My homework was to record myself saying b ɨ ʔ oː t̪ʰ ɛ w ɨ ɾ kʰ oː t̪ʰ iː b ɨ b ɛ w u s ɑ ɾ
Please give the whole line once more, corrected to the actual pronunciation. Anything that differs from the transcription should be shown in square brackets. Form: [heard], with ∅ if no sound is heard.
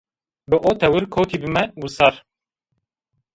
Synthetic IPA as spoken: b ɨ ʔ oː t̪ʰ ɛ w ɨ ɾ kʰ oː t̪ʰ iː b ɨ [m] ɛ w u s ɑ ɾ